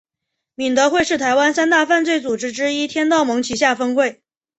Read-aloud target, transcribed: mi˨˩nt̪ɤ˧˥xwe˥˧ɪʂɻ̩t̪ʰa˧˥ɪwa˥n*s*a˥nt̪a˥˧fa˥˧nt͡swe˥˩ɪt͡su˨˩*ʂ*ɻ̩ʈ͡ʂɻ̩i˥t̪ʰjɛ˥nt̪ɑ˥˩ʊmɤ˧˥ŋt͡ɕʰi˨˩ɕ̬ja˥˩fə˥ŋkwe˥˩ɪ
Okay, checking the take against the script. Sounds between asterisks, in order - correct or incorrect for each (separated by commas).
correct, incorrect